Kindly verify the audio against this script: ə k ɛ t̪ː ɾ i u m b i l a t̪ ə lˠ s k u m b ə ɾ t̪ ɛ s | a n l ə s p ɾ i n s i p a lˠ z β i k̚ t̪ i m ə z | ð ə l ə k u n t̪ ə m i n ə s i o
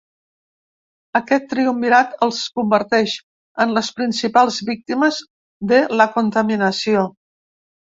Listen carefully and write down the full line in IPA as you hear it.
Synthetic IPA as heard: ə k ɛ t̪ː ɾ i u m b i ɾ a t̪ ə lˠ s k u m b ə ɾ t̪ ɛ ʃ | ə n l ə s p ɾ i n s i p a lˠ z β i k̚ t̪ i m ə z | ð ə l ə k u n t̪ ə m i n ə s i o